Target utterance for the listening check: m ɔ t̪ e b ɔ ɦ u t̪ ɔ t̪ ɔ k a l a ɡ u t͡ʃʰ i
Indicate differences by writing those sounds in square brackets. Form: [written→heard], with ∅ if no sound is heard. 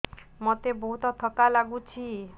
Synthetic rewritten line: m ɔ t̪ e b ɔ ɦ u t̪ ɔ [t̪→t̪ʰ] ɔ k a l a ɡ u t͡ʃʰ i